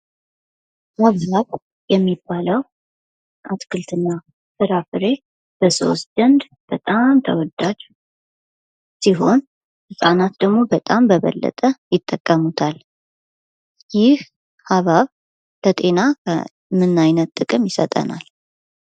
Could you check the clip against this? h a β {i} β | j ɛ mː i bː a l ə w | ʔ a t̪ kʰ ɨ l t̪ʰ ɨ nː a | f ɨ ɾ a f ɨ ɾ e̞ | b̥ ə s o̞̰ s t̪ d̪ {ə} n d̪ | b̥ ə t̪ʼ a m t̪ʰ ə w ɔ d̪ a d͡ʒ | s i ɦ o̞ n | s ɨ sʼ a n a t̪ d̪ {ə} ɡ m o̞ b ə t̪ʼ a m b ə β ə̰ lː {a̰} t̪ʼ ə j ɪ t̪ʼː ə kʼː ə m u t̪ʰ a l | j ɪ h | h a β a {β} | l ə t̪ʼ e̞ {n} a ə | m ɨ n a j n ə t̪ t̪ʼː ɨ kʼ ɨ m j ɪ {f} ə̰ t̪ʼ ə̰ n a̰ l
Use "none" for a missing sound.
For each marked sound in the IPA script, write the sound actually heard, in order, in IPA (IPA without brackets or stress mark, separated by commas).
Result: a, ə, ə, ə̰, β, n, s